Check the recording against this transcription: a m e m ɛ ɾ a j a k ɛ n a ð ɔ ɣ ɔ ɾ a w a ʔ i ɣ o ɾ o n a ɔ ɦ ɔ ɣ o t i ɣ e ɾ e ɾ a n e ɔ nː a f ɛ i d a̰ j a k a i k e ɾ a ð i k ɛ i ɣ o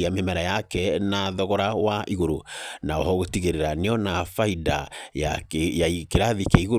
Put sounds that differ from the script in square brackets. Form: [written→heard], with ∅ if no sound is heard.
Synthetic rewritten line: a m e m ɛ ɾ a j a k ɛ n a ð ɔ ɣ ɔ ɾ a w a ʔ i ɣ o ɾ o n a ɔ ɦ ɔ ɣ o t i ɣ e ɾ e ɾ a n e ɔ [nː→n] a f [ɛ→a] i d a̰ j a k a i k e ɾ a ð i k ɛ i ɣ o